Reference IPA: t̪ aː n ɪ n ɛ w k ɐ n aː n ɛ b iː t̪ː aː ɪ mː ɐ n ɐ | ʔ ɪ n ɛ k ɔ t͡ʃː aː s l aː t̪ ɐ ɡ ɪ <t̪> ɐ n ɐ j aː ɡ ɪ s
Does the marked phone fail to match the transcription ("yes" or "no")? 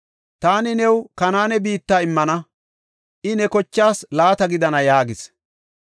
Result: yes